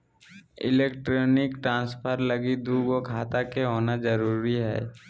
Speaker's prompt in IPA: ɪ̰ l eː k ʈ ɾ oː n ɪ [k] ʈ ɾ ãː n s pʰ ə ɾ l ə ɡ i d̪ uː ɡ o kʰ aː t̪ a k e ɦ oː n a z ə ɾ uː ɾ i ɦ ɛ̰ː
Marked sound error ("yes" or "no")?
no